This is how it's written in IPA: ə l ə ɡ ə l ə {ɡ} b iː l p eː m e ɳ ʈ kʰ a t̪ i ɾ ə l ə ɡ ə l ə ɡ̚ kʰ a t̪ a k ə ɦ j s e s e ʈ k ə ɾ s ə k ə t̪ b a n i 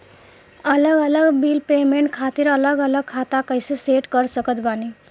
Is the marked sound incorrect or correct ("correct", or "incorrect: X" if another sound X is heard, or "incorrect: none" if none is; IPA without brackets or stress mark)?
correct